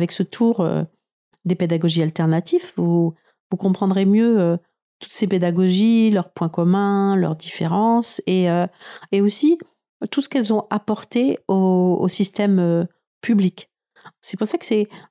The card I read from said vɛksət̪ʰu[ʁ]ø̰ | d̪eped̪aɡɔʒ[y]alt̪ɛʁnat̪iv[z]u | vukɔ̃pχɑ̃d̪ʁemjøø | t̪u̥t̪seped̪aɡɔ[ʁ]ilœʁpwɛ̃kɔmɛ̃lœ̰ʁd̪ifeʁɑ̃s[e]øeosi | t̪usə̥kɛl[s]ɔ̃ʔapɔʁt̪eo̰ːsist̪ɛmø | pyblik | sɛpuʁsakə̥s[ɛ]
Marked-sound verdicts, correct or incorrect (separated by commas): correct, incorrect, incorrect, incorrect, correct, incorrect, correct